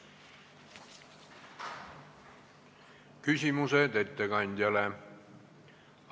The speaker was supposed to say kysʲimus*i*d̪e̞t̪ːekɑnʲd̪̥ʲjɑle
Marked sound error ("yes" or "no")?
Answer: yes